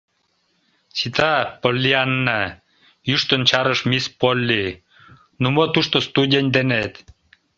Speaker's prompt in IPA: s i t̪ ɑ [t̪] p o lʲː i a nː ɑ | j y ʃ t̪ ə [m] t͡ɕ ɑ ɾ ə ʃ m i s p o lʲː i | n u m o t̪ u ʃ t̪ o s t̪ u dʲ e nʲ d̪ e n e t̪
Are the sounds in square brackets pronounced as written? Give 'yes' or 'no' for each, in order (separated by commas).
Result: no, no